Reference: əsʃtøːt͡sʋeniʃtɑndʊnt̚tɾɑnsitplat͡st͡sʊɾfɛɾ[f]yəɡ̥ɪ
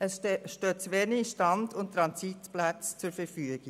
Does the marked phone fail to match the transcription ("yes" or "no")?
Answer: no